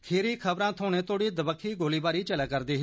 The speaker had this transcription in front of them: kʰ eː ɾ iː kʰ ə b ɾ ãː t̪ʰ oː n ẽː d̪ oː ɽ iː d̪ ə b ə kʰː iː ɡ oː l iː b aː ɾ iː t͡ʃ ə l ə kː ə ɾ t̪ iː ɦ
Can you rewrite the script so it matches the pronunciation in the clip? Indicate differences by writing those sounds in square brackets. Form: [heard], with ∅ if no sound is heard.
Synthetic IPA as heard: kʰ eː ɾ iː kʰ ə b ɾ ãː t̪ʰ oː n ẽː [t̪] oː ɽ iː d̪ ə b ə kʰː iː ɡ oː l iː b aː ɾ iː t͡ʃ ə l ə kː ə ɾ [d̪] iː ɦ